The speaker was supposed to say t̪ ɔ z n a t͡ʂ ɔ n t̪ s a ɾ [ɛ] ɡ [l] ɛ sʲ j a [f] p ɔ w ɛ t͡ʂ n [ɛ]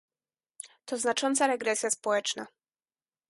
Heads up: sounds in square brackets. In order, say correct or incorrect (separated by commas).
correct, incorrect, incorrect, incorrect